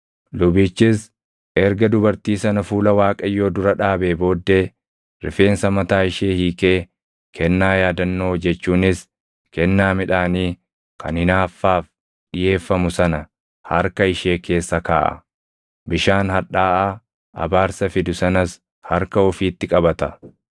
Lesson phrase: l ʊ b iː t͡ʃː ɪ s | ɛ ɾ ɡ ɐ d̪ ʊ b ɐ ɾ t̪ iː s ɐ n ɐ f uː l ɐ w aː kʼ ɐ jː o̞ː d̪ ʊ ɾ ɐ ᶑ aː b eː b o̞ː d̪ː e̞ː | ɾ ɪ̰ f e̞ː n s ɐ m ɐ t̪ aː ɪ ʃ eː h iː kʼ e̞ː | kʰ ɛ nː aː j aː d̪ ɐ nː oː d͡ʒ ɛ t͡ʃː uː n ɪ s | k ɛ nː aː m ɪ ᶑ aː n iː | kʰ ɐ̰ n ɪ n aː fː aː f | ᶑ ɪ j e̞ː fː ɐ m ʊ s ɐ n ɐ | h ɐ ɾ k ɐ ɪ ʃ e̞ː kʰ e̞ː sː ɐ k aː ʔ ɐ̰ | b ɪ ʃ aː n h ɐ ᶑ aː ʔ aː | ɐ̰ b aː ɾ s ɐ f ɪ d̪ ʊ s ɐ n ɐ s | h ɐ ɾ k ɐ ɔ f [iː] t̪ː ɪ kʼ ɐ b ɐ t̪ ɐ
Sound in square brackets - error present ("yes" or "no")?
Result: no